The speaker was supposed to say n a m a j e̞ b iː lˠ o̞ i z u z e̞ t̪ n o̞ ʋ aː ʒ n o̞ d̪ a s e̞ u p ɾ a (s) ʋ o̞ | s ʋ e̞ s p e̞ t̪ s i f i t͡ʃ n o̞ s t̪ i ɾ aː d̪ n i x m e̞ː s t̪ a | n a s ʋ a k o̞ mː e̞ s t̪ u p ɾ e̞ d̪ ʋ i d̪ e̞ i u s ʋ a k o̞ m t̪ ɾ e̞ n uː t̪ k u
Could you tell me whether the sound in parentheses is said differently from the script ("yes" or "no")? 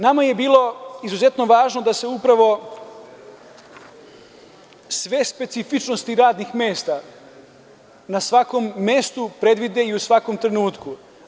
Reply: yes